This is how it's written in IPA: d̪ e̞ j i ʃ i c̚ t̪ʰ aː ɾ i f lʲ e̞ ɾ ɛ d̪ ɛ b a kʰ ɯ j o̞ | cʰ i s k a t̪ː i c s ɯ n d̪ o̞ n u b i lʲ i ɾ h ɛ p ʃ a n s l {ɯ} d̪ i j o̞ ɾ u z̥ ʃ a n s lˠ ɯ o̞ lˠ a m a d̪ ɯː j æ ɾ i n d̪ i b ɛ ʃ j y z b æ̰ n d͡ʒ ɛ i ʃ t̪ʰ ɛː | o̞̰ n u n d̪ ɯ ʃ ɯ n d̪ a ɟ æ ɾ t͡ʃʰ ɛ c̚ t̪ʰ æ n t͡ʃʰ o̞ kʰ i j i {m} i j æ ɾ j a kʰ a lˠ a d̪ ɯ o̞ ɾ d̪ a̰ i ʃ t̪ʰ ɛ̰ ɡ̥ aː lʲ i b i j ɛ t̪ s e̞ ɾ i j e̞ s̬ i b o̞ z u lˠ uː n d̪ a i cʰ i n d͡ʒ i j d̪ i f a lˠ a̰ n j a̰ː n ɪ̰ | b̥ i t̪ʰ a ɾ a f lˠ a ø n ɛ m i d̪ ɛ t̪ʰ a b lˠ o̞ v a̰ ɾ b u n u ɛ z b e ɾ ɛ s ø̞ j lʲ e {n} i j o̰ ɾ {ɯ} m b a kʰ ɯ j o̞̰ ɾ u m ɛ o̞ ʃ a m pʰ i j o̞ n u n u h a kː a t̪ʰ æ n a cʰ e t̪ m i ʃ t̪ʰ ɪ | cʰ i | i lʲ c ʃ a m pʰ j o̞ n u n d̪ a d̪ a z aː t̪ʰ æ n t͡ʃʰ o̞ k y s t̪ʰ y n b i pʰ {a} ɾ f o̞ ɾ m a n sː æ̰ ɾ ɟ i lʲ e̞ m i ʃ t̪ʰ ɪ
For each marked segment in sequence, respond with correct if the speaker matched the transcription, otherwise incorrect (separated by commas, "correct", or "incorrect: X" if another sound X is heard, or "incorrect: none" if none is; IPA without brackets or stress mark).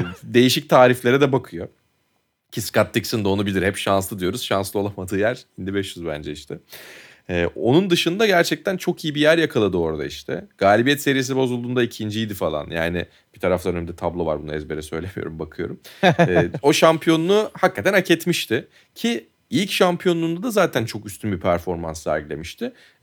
correct, incorrect: b, incorrect: m, incorrect: u, incorrect: æ